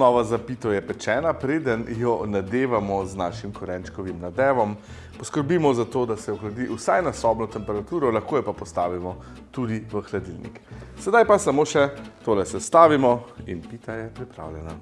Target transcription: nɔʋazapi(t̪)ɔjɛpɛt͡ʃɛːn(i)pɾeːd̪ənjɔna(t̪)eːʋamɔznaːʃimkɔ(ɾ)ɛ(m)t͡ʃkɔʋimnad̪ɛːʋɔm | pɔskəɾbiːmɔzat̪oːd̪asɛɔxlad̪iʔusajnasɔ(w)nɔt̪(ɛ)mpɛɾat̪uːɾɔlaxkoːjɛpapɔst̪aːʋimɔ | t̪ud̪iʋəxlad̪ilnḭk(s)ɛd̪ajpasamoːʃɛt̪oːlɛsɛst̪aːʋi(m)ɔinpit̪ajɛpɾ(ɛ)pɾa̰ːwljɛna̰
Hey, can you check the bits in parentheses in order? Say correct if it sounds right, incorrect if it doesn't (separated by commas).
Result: correct, incorrect, incorrect, correct, incorrect, incorrect, correct, correct, correct, incorrect